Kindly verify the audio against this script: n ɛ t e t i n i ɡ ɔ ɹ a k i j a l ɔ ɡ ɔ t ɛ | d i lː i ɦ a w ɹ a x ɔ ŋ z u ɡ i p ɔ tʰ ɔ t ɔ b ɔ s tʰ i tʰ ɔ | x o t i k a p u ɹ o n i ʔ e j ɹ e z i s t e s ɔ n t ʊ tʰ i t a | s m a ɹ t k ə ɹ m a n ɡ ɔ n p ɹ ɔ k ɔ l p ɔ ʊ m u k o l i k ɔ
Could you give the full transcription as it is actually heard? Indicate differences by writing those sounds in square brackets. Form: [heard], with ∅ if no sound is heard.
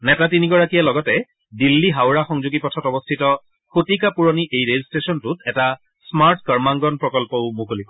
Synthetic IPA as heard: n ɛ t [a] t i n i ɡ ɔ ɹ a k i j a l ɔ ɡ ɔ t ɛ | d i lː i ɦ a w ɹ a x ɔ ŋ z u ɡ i p ɔ tʰ ɔ t ɔ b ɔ s tʰ i [t] ɔ | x o t i k a p u ɹ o n i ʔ e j ɹ e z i s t e s ɔ n t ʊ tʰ [ɛ] t a | s m a ɹ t k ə ɹ m a [ŋ] ɡ ɔ n p ɹ ɔ k ɔ l p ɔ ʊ m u k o l i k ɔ